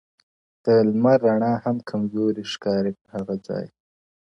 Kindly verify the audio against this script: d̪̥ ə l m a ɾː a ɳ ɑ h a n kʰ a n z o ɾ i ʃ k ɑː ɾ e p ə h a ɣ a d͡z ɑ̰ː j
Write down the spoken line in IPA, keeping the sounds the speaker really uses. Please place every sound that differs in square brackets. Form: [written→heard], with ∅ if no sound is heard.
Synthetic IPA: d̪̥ ə l m a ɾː a ɳ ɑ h a [n→m] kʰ a [n→m] z o ɾ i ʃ k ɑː ɾ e p ə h a ɣ a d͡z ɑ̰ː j